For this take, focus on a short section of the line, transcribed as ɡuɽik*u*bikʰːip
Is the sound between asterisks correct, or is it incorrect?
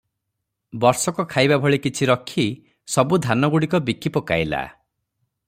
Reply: incorrect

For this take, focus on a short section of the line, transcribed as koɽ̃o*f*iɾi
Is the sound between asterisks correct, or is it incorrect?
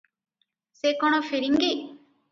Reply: correct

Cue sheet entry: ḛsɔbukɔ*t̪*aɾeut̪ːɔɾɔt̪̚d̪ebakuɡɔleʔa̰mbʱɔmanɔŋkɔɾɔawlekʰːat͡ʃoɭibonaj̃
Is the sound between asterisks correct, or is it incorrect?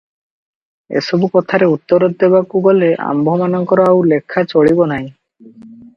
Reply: incorrect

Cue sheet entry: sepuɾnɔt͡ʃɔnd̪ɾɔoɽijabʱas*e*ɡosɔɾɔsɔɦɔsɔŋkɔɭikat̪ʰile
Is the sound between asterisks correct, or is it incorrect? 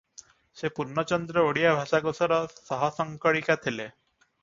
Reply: incorrect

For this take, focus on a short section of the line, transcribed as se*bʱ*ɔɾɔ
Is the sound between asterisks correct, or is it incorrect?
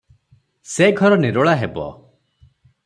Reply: incorrect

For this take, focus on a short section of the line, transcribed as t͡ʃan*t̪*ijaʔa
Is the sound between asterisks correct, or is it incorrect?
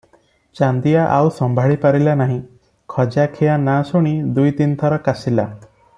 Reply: incorrect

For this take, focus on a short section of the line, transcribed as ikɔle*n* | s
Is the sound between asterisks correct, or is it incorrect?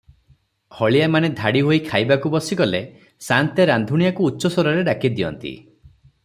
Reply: incorrect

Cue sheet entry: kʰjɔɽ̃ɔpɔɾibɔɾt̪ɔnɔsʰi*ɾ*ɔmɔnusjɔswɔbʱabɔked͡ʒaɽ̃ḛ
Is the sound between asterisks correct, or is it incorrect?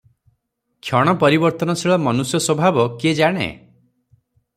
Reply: incorrect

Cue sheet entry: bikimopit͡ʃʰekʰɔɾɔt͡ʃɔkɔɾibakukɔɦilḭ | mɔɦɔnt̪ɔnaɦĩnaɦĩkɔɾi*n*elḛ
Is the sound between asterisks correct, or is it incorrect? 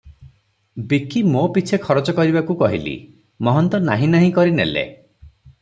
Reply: correct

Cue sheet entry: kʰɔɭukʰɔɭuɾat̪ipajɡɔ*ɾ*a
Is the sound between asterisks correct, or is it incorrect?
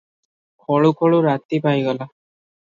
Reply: incorrect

